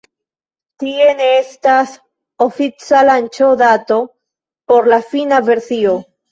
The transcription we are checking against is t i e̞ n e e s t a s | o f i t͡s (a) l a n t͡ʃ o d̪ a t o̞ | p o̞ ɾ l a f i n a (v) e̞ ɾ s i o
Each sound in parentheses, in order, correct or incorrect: correct, correct

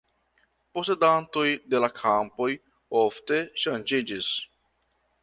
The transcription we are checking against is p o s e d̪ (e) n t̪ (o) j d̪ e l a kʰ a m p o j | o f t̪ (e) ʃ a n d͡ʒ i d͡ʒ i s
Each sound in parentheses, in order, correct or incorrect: incorrect, correct, correct

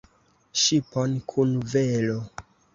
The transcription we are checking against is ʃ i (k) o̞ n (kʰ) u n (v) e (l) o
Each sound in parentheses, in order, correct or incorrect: incorrect, correct, correct, correct

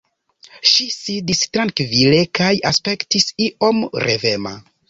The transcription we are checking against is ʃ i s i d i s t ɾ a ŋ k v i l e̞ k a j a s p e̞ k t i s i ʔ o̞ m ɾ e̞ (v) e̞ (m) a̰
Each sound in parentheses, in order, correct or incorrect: correct, correct

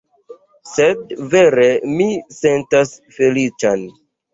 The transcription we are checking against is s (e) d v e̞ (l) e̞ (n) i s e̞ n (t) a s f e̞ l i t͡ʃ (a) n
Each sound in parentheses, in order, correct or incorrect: correct, incorrect, incorrect, correct, correct

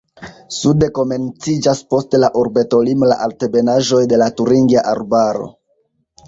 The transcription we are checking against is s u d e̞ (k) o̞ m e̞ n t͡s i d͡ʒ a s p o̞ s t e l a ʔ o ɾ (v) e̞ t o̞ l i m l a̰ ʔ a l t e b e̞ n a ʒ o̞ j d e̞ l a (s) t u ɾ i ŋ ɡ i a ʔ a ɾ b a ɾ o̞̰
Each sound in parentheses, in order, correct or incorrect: correct, incorrect, incorrect

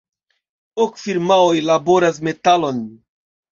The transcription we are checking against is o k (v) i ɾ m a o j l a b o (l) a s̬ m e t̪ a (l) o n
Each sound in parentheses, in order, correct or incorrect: incorrect, incorrect, correct

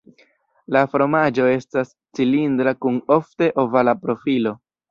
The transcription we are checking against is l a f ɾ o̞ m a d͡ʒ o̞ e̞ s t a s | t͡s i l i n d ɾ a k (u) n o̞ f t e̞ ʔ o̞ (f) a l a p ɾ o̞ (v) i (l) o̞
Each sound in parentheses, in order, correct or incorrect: correct, incorrect, incorrect, correct

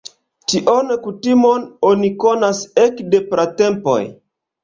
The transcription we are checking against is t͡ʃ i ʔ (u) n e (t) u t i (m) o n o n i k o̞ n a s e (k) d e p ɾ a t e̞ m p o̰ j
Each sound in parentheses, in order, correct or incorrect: incorrect, incorrect, correct, correct

